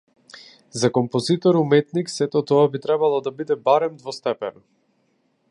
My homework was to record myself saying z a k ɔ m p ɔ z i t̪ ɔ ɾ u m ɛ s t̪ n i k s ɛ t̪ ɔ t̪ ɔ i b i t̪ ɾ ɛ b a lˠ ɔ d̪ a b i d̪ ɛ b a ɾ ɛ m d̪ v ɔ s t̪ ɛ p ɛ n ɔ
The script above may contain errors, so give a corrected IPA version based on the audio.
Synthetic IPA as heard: z a k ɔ m p ɔ z i t̪ ɔ ɾ u m ɛ t̪ n i k s ɛ t̪ ɔ t̪ ɔ a b i t̪ ɾ ɛ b a lˠ ɔ d̪ a b i d̪ ɛ b a ɾ ɛ m d̪ v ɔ s t̪ ɛ p ɛ n ɔ